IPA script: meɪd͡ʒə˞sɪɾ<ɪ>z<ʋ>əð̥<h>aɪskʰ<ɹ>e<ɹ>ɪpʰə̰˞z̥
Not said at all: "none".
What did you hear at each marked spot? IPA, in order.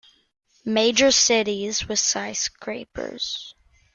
i, w, s, ɹ, none

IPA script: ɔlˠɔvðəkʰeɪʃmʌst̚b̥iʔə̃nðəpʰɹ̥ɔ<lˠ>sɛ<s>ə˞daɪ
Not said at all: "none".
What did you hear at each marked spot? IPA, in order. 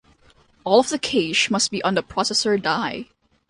none, s

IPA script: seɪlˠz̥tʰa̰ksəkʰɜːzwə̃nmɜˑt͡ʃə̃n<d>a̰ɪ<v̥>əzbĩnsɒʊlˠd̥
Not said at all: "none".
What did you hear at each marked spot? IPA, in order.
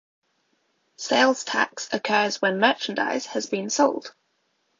d, z̥

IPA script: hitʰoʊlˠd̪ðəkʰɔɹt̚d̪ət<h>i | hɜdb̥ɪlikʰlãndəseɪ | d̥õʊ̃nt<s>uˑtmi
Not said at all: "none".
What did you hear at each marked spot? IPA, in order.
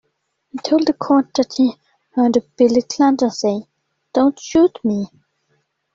h, ʃ

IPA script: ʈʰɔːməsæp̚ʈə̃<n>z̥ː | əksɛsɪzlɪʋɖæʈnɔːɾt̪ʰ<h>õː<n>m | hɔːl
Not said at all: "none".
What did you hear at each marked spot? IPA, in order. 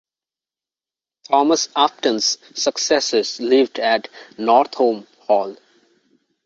n, h, none

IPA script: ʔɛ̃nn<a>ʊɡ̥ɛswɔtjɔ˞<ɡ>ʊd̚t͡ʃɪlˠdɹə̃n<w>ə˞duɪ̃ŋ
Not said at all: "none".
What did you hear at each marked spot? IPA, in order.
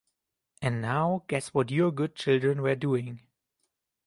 a, ɡ, w

